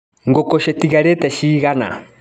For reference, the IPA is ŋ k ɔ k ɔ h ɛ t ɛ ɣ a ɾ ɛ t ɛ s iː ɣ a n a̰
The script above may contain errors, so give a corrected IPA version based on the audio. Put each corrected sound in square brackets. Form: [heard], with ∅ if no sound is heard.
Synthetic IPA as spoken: ŋ [ɡ] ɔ k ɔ [ʃ] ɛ t [i] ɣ a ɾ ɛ t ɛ [ʃ] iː ɣ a n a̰